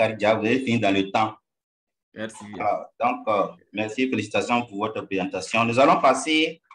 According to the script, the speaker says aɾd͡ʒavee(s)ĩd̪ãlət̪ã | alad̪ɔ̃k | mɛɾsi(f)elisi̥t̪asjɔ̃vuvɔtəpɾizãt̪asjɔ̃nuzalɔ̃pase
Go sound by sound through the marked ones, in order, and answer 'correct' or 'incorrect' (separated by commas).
incorrect, correct